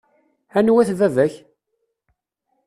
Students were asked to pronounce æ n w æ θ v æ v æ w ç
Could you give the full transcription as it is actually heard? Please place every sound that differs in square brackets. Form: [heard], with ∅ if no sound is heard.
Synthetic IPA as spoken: æ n w æ θ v æ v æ [∅] ç